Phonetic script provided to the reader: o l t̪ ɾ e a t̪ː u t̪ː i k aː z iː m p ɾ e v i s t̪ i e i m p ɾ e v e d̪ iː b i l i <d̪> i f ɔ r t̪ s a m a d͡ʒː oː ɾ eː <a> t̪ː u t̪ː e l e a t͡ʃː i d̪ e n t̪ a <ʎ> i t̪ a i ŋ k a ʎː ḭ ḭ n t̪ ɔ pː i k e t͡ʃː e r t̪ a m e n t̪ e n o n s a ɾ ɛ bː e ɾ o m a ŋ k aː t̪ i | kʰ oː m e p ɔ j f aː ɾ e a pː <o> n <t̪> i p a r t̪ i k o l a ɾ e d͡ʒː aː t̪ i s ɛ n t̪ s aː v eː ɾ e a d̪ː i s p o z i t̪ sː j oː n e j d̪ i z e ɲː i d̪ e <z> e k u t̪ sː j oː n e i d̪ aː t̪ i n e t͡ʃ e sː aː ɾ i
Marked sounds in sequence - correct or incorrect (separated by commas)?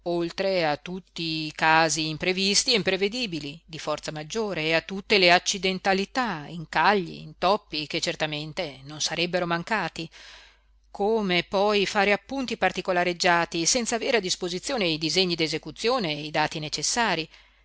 correct, correct, incorrect, incorrect, correct, correct